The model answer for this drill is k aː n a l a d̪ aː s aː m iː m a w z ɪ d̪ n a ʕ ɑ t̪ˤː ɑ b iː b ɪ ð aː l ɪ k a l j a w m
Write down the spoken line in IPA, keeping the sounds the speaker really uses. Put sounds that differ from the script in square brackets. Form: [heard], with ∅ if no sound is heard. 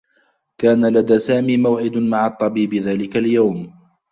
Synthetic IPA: k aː n a l a d̪ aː s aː m iː m a w [ʕ] ɪ d̪ [m] a ʕ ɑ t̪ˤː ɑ b iː b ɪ ð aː l ɪ k a l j a w m

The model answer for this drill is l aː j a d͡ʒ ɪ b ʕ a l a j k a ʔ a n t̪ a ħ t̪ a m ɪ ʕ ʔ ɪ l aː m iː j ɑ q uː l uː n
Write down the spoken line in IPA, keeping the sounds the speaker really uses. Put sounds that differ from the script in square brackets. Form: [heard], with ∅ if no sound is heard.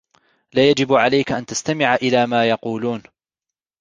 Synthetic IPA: l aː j a d͡ʒ ɪ b ʕ a l a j k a ʔ a n t̪ a [s] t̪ a m ɪ ʕ ʔ ɪ l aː m [aː] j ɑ q uː l uː n

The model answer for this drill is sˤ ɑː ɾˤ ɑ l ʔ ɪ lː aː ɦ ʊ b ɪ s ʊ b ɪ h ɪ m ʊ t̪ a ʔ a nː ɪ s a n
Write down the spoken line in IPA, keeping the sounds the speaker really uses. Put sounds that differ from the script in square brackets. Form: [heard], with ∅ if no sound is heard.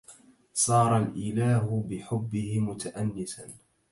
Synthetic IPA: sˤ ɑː ɾˤ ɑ l ʔ ɪ [l] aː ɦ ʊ b ɪ [ħ] ʊ [bː] ɪ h ɪ m ʊ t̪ a ʔ a nː ɪ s a n

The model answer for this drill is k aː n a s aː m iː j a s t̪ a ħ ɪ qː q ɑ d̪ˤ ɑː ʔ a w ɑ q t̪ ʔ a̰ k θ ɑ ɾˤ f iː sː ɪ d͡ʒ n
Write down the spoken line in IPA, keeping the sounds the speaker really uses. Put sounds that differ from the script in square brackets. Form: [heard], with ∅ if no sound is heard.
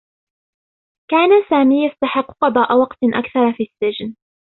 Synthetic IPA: k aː n a s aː m iː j a s t̪ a ħ ɪ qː q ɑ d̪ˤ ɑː ʔ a w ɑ q t̪ ʔ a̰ k θ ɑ ɾˤ f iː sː ɪ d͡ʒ n

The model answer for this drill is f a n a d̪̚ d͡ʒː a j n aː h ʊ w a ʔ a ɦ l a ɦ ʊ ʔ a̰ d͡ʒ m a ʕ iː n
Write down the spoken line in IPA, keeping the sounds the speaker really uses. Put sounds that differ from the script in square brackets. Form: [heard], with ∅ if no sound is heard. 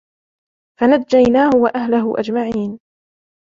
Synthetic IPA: f a n a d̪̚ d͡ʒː a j n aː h ʊ w a ʔ a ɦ l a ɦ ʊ ʔ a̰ d͡ʒ m a ʕ iː n

